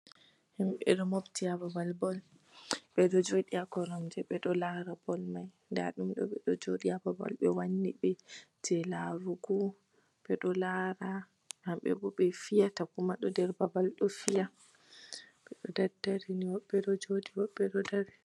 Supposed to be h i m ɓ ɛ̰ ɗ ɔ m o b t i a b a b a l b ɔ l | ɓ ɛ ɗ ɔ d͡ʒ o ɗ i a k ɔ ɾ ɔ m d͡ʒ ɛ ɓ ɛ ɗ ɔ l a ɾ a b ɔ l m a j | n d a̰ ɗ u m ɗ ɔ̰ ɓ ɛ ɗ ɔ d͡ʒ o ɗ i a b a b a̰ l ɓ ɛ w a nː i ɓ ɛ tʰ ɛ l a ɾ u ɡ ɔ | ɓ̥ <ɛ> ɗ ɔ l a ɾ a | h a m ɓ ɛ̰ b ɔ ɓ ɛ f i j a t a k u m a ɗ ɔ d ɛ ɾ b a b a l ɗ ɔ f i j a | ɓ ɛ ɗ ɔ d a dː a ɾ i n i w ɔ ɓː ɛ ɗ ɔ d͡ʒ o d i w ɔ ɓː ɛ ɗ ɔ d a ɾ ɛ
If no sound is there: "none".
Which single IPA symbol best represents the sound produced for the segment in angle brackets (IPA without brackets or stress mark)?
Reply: ɛ